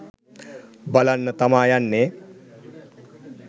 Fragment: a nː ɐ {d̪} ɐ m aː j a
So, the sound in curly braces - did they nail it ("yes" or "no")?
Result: no